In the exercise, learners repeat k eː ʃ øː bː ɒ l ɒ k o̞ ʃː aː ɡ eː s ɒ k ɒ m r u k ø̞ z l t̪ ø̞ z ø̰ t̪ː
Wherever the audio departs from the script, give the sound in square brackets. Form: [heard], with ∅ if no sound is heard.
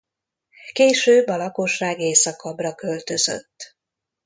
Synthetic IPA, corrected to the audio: k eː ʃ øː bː ɒ l ɒ k o̞ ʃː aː ɡ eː s ɒ k ɒ [b] r [ɒ] k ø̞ [∅] l t̪ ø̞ z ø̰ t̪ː

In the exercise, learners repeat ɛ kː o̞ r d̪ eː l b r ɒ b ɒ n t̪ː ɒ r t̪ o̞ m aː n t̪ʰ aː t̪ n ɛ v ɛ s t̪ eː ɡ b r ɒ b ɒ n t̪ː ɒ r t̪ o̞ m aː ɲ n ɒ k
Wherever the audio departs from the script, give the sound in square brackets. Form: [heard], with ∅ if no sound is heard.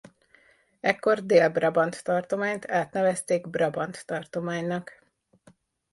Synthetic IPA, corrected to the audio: ɛ kː o̞ r d̪ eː l b r ɒ b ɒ n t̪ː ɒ r t̪ o̞ m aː [ɲ] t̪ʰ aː t̪ n ɛ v ɛ s t̪ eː ɡ b r ɒ b ɒ n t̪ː ɒ r t̪ o̞ m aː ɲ n ɒ k

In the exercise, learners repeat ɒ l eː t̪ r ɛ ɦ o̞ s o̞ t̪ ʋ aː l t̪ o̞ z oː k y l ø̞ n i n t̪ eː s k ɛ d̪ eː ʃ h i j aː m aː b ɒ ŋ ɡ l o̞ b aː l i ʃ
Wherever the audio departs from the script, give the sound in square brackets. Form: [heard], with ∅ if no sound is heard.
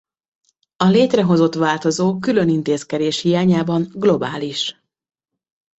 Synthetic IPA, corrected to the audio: ɒ l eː t̪ r ɛ ɦ o̞ [z] o̞ t̪ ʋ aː l t̪ o̞ z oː k y l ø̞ n i n t̪ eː s k ɛ d̪ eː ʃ h i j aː [ɲ] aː b ɒ ŋ ɡ l o̞ b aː l i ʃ

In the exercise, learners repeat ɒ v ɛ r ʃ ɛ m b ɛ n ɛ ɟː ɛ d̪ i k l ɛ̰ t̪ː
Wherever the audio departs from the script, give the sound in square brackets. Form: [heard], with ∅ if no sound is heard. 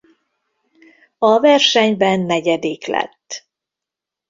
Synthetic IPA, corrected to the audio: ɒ v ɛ r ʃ ɛ [ɲ] b ɛ [nː] ɛ [ɟ] ɛ d̪ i k l ɛ̰ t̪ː

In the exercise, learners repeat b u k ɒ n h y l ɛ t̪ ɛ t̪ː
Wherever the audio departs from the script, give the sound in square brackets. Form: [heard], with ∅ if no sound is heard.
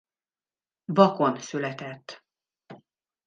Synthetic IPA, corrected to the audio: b [ɒ] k [o] n [s] y l ɛ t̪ ɛ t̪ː

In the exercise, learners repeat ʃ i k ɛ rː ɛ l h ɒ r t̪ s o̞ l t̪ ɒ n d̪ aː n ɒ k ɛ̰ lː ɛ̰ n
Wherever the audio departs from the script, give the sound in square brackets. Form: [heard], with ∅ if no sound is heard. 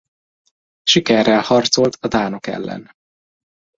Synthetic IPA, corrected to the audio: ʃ i k ɛ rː ɛ l h ɒ r t̪ s o̞ l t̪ ɒ [∅] d̪ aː n [o] k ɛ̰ lː ɛ̰ n

